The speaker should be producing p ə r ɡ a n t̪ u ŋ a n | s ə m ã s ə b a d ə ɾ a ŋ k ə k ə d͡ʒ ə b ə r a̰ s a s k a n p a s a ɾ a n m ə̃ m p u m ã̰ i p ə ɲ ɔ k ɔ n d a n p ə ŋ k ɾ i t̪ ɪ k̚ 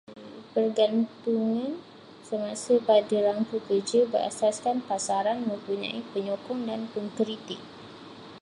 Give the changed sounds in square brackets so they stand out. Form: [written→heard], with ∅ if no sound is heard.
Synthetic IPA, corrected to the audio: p ə r ɡ a n t̪ u ŋ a n | s ə m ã s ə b a d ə ɾ a ŋ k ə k ə d͡ʒ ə b ə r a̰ s a s k a n p a s a ɾ a n m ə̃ m p u [m→ɲ] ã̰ i p ə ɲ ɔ k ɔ [n→ŋ] d a n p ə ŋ k ɾ i t̪ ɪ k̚